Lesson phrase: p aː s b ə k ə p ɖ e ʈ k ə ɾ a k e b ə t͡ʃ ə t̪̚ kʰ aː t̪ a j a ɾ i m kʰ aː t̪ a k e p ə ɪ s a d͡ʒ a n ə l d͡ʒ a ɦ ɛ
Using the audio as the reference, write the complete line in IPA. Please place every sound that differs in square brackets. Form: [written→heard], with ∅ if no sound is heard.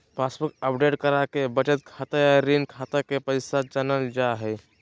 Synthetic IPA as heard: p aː s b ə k ə p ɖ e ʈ k ə ɾ a k e b ə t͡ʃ ə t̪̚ kʰ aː t̪ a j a ɾ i [m→n] kʰ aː t̪ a k e p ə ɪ s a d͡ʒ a n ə l d͡ʒ a ɦ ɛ